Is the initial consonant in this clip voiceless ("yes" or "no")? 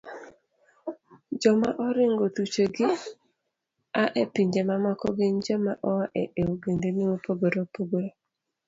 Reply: no